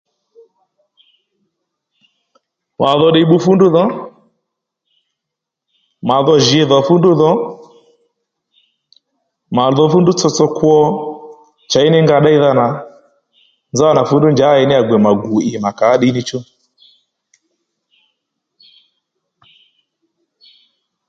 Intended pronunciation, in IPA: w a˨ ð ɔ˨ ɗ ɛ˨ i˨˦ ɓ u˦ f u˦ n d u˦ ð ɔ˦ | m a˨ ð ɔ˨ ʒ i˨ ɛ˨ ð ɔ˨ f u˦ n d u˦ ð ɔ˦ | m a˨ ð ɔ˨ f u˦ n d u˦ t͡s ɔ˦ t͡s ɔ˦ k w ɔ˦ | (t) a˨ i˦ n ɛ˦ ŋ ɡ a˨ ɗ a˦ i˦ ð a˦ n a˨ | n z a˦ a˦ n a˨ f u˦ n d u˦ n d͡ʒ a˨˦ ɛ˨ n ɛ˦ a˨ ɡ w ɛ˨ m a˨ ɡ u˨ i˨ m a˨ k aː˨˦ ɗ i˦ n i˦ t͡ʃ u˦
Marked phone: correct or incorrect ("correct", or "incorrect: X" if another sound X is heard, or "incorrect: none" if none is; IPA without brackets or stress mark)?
incorrect: t͡ʃ